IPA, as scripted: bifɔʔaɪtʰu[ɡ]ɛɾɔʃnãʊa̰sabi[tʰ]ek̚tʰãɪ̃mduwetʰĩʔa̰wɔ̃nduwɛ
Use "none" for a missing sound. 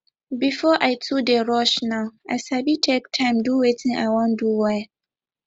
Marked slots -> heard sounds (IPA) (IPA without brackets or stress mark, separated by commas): d, tʰ